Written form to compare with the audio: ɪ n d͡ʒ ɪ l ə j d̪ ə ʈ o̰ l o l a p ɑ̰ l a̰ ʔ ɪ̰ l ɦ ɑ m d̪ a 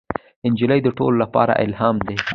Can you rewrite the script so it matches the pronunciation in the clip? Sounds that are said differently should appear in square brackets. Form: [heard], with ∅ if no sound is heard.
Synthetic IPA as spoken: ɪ n d͡ʒ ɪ l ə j d̪ ə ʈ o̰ l o l a p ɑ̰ [ɾ] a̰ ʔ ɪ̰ l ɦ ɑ m d̪ [e]